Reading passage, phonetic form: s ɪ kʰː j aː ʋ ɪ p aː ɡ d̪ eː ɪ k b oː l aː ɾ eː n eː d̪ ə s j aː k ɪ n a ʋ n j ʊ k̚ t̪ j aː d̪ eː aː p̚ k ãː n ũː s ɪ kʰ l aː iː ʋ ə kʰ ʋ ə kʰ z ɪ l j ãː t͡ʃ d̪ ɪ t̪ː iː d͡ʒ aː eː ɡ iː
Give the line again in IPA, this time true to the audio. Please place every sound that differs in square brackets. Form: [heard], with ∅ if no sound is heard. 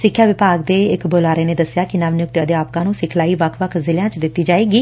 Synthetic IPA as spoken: s ɪ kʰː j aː ʋ ɪ p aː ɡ d̪ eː ɪ k b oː l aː ɾ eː n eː d̪ ə s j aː k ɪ n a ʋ n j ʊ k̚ t̪ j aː d̪ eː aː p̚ k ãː n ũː s ɪ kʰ l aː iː ʋ ə kʰ ʋ ə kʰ z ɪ l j ãː t͡ʃ d̪ ɪ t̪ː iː d͡ʒ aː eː ɡ iː

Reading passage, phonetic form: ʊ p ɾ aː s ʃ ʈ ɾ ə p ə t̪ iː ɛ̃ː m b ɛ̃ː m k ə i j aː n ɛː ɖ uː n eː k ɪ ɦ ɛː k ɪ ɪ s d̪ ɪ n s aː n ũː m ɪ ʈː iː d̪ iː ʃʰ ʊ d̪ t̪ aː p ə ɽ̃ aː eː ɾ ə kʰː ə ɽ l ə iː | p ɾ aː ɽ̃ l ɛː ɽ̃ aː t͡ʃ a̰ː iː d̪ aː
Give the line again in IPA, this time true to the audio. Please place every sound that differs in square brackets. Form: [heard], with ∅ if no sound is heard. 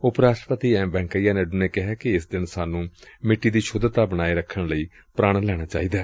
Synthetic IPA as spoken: ʊ p ɾ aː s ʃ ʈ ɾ ə p ə t̪ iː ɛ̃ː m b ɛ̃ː [ŋ] k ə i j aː n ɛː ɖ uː n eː k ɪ ɦ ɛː k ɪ ɪ s d̪ ɪ n s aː n ũː m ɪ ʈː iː d̪ iː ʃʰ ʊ d̪ t̪ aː [b] ə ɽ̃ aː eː ɾ ə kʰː ə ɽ l ə iː | p ɾ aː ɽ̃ l ɛː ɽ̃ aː t͡ʃ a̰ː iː d̪ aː

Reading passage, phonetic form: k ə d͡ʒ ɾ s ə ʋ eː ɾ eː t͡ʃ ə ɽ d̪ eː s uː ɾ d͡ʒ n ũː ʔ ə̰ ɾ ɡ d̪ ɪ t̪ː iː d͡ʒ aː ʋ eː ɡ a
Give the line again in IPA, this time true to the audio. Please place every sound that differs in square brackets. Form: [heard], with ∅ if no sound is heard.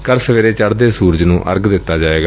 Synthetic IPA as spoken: k ə [∅] ɾ s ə ʋ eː ɾ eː t͡ʃ ə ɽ d̪ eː s uː ɾ d͡ʒ n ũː ʔ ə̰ ɾ ɡ d̪ ɪ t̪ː [aː] d͡ʒ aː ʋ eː ɡ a

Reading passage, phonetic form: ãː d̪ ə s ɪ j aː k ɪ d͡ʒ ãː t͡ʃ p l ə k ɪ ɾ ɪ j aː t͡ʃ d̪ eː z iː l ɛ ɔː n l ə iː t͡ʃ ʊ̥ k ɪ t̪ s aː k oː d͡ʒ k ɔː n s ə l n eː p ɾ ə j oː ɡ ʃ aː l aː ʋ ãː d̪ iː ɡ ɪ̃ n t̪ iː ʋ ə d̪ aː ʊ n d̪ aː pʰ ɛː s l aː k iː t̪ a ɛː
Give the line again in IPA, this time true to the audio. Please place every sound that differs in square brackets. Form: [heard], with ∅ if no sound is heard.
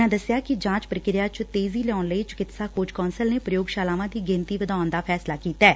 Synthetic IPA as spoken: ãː d̪ ə s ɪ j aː k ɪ d͡ʒ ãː t͡ʃ p [ɾ] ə k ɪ ɾ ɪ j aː t͡ʃ [t̪] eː z iː l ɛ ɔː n l ə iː t͡ʃ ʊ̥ k ɪ t̪ s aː k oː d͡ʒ k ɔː n s ə l n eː p ɾ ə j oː ɡ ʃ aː l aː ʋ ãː d̪ iː ɡ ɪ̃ n t̪ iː ʋ ə d̪ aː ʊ n d̪ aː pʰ ɛː s l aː k iː t̪ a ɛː

